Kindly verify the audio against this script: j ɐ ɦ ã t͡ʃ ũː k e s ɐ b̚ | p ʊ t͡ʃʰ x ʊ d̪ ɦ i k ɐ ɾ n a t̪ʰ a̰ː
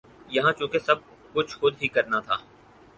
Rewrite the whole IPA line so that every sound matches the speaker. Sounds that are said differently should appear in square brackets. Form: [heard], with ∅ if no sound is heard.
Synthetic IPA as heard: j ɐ ɦ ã t͡ʃ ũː k e s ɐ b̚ | [k] ʊ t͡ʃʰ x ʊ d̪ ɦ i k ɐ ɾ n a t̪ʰ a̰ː